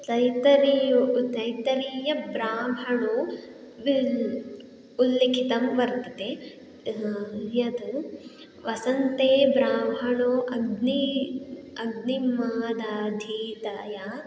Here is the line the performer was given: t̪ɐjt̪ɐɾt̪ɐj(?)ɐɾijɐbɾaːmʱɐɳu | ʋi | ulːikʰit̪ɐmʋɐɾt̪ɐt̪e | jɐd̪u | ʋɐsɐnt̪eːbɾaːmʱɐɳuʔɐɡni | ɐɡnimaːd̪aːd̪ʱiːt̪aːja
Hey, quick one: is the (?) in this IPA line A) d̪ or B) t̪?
B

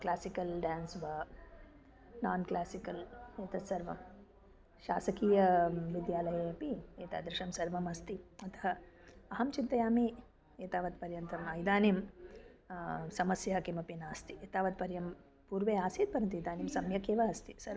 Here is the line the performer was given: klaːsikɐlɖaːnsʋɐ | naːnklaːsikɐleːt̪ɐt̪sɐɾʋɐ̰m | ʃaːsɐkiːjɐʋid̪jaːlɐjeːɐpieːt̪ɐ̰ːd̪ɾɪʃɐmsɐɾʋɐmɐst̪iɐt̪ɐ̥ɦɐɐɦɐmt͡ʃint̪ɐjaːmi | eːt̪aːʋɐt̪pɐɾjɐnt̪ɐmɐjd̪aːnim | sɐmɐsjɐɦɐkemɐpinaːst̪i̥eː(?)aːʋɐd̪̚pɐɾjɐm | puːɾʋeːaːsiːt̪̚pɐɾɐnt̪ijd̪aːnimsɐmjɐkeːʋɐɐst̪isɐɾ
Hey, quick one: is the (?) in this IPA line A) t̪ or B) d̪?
A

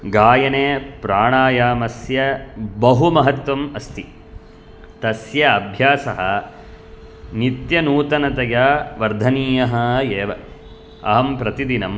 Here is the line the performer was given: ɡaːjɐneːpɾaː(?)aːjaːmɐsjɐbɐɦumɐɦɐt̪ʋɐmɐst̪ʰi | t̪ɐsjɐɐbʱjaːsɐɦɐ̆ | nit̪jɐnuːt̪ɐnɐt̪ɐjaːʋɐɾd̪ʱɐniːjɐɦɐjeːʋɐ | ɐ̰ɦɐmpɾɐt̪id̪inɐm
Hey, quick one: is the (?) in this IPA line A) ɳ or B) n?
A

